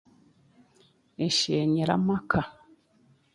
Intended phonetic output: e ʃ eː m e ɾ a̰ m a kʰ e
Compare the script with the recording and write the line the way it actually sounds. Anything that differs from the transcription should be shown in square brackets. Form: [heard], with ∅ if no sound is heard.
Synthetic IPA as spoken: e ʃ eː [ɲ] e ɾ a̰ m a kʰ [a]